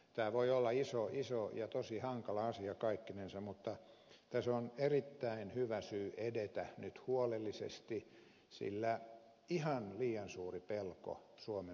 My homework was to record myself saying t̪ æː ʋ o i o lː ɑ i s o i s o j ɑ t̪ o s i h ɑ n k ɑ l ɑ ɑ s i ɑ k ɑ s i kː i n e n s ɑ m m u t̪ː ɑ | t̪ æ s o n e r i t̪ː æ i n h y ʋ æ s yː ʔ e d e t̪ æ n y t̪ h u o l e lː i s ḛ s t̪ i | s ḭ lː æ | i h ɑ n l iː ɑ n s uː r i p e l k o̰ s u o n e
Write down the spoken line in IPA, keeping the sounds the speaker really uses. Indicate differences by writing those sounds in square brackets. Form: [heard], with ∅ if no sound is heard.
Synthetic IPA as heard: t̪ æː ʋ o i o lː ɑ i s o i s o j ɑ t̪ o s i h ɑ [ŋ] k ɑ l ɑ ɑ s i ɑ k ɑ [∅] i kː i n e n s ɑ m m u t̪ː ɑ | t̪ æ s o n e r i t̪ː æ i n h y ʋ æ s yː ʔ e d e t̪ æ n y t̪ h u o l e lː i s ḛ s t̪ i | s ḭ lː æ | i h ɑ n l iː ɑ n s uː r i p e l k o̰ s u o [m] e